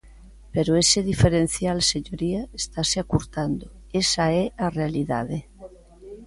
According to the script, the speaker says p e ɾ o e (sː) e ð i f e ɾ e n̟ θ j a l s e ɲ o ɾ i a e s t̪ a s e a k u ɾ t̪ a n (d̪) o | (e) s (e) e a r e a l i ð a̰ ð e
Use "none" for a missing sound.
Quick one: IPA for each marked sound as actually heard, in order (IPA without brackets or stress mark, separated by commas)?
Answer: s, d̪, e, a